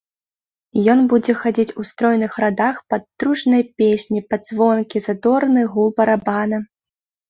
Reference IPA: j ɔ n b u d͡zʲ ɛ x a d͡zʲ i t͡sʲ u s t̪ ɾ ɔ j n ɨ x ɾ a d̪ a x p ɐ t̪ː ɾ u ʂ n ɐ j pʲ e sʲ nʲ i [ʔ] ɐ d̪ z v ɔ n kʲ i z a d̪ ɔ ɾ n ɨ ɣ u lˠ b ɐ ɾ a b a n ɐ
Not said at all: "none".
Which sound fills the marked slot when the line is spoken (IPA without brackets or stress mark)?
p